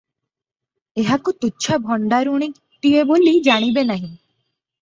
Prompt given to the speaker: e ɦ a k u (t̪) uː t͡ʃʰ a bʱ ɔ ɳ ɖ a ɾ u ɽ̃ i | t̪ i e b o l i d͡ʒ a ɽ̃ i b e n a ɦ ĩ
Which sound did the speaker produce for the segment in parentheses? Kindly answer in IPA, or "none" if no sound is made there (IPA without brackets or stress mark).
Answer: t̪